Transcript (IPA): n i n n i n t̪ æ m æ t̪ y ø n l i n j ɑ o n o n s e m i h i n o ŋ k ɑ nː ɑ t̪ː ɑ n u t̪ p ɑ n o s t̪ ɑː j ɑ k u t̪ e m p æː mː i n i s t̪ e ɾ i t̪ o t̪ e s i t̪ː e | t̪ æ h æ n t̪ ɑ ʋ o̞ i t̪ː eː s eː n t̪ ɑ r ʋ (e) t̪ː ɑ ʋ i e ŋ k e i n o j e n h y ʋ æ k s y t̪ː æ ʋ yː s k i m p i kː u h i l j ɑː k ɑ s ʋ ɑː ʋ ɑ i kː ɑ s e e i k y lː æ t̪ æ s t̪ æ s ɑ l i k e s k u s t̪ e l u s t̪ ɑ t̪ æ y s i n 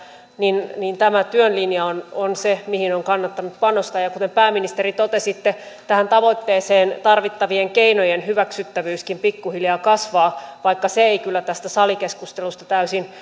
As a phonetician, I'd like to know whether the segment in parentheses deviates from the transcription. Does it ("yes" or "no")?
yes